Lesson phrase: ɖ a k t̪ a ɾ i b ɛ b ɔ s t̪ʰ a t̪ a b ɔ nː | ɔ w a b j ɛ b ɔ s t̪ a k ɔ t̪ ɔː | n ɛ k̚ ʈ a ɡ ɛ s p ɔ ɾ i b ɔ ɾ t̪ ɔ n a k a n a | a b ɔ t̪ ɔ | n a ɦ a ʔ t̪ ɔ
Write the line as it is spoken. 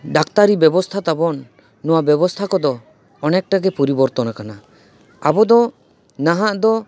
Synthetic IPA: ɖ a k t̪ a ɾ i b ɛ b ɔ s t̪ʰ a t̪ a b ɔ nː | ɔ w a b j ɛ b ɔ s t̪ʰ a k ɔ d̪ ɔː | n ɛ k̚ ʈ a ɡ ɛ p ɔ ɾ i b ɔ ɾ t̪ ɔ n a k a n a | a b ɔ d̪ ɔ | n a ɦ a ʔ d̪ ɔ